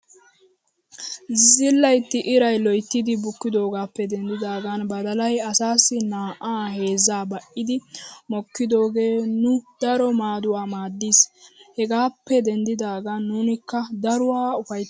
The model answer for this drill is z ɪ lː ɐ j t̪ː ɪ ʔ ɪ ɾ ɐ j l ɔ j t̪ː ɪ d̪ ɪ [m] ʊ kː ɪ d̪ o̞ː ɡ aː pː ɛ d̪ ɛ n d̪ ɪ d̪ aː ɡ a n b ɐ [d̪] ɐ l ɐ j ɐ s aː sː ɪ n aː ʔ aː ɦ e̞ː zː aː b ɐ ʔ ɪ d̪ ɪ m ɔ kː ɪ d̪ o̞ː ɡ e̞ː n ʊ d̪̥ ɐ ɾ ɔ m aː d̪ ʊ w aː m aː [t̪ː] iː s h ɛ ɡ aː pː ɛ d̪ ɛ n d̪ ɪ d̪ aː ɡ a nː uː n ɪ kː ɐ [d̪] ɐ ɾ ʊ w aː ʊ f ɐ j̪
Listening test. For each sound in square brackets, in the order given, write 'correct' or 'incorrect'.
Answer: incorrect: b, correct, incorrect: d̪ː, correct

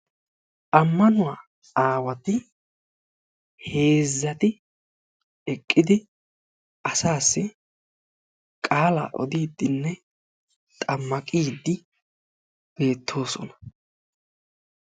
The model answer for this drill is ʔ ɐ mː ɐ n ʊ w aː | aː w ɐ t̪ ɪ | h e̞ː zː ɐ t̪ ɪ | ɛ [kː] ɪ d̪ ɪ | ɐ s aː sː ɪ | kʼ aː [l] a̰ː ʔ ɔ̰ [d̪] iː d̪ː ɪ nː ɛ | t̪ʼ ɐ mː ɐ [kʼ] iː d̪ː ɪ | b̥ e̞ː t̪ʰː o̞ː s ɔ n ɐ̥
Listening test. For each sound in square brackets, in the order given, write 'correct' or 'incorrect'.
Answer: incorrect: kʼː, correct, correct, correct

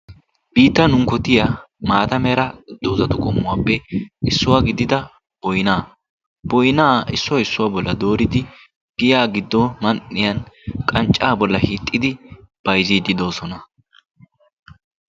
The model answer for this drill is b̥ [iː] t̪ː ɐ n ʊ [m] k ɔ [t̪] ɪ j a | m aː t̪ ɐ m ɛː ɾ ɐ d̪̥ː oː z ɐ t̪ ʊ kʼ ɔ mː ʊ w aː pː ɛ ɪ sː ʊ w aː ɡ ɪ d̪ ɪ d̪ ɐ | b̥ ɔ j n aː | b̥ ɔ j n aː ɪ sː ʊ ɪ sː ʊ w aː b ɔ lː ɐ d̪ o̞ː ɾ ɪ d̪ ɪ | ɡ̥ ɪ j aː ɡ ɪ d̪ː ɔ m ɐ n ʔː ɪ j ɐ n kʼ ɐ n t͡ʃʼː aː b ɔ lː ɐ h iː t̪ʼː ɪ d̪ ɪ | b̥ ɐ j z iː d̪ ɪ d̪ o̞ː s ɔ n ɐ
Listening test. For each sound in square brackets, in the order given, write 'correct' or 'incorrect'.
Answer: correct, incorrect: ŋ, correct

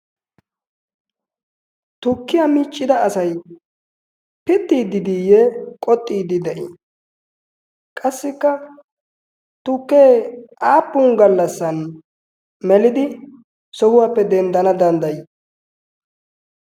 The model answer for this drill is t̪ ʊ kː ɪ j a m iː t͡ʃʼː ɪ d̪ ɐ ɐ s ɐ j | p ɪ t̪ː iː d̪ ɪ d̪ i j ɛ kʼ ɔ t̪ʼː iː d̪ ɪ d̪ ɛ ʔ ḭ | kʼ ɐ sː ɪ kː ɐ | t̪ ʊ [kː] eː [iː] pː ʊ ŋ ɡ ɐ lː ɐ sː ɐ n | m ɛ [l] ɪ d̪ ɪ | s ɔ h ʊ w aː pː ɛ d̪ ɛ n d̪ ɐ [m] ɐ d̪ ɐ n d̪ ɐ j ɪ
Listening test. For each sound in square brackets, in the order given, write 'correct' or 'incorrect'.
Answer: correct, incorrect: aː, correct, incorrect: n

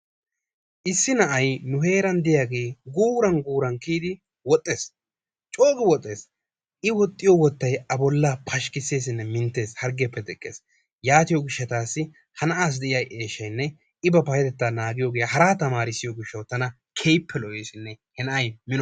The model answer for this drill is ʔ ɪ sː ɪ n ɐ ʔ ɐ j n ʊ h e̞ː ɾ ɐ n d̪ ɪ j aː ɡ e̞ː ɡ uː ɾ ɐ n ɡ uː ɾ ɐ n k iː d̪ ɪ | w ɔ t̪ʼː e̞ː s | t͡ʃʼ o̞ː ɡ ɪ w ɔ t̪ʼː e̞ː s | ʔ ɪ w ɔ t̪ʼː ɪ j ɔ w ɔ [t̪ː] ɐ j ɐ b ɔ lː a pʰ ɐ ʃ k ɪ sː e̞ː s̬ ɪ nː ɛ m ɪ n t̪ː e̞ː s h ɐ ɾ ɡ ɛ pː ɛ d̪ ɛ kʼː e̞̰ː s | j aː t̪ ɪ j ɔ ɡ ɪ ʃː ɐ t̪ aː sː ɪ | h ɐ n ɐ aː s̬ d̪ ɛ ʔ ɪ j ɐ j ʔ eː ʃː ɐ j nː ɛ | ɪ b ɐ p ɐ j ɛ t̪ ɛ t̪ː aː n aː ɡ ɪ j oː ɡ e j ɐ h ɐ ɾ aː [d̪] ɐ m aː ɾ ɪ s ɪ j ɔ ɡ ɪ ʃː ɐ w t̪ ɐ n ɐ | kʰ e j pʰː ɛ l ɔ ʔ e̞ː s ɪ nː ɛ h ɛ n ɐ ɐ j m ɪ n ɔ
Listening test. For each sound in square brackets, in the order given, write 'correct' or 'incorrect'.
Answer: correct, incorrect: t̪

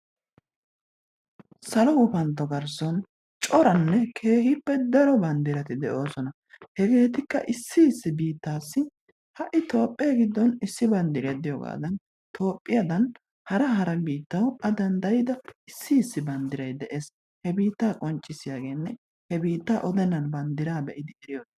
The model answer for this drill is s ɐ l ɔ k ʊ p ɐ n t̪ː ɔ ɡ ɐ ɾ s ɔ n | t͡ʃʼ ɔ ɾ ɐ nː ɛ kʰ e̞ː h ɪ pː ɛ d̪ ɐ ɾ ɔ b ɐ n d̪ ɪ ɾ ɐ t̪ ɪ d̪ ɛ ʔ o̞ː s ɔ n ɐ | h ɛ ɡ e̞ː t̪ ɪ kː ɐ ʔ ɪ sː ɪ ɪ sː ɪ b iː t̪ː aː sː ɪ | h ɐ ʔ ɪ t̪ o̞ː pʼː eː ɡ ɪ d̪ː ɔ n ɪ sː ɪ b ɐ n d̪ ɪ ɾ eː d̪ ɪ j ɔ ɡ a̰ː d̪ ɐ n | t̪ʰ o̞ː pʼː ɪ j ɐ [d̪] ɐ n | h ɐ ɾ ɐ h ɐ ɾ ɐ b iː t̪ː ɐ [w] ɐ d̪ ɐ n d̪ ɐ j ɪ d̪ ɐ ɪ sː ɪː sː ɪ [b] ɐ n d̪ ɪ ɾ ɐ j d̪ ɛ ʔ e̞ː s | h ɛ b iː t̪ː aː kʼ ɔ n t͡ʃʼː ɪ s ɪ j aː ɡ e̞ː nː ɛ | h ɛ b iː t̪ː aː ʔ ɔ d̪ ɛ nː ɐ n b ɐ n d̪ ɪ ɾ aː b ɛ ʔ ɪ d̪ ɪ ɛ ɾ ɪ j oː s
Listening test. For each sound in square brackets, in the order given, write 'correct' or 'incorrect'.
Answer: correct, correct, correct

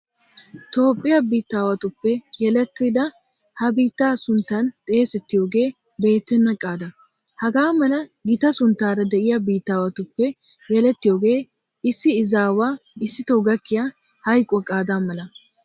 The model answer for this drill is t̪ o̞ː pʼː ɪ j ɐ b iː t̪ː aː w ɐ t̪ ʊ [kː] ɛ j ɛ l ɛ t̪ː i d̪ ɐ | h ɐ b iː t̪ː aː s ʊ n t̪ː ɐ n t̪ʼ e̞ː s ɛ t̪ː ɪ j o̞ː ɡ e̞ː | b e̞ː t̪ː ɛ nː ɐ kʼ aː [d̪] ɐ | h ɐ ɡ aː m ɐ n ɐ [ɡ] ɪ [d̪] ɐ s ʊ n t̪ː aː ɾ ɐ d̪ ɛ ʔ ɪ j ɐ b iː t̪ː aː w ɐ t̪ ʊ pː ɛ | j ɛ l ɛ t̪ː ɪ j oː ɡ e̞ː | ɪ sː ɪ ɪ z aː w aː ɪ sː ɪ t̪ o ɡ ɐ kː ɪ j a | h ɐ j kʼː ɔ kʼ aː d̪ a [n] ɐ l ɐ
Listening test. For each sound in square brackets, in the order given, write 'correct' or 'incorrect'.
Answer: incorrect: pː, correct, correct, incorrect: t̪, incorrect: m

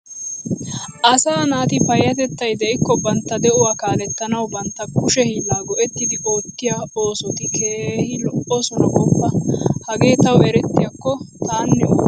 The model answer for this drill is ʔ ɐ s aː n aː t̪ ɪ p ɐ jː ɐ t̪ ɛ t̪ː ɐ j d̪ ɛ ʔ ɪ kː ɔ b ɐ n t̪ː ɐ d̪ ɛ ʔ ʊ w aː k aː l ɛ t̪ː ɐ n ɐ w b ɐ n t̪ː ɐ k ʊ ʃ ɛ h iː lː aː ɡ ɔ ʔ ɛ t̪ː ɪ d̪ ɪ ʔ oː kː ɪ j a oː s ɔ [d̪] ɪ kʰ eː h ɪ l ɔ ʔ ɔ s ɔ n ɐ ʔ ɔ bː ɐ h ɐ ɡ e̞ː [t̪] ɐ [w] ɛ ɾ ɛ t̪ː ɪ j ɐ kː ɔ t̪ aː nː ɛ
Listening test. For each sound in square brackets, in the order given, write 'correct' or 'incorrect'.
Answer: incorrect: t̪, correct, correct

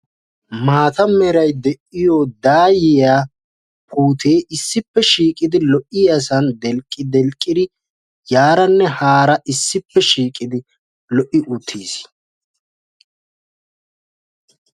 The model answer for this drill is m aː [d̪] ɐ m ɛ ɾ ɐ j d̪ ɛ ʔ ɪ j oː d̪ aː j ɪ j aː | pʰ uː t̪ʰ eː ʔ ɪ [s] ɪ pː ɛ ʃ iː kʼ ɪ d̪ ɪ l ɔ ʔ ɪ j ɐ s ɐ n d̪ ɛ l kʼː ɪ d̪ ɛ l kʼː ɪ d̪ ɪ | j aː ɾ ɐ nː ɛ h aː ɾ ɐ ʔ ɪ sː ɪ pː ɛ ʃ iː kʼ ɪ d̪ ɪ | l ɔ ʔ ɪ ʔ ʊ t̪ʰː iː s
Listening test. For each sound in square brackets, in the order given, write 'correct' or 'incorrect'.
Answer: incorrect: t̪, incorrect: sː

